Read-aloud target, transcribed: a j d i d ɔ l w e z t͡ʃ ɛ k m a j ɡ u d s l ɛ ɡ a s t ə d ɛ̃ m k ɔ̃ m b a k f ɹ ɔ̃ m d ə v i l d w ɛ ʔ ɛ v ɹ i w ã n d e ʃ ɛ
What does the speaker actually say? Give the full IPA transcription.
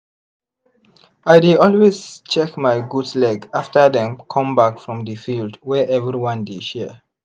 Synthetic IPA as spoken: a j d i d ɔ l w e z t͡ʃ ɛ k m a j ɡ u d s l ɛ ɡ a f t ə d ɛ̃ m kʰ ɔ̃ m b a k f ɹ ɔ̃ m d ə f i l d w ɛ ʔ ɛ v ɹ i w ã n d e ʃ ɛ